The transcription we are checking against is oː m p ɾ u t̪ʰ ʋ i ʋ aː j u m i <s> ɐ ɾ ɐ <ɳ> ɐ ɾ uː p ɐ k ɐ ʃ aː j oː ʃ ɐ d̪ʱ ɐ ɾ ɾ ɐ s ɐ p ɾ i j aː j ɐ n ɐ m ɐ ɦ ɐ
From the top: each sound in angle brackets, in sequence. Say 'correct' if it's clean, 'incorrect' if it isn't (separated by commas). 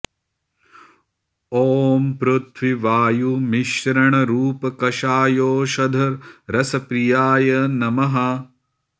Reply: incorrect, correct